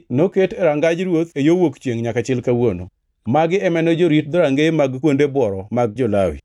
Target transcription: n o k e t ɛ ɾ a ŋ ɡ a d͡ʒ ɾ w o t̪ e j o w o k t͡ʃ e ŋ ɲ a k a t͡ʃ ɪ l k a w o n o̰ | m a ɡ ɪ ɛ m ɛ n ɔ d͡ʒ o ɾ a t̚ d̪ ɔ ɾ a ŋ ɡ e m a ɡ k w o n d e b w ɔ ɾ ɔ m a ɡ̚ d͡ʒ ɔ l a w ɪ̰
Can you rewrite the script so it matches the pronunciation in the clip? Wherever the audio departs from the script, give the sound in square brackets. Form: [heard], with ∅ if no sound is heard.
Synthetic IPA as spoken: n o k e t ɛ ɾ a ŋ ɡ a d͡ʒ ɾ w o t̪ e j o w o k t͡ʃ e ŋ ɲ a k a t͡ʃ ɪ l k a w o n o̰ | m a ɡ ɪ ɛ m ɛ n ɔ d͡ʒ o ɾ [i] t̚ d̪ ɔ ɾ a ŋ ɡ e m a ɡ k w o n d e b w ɔ ɾ ɔ m a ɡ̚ d͡ʒ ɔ l a w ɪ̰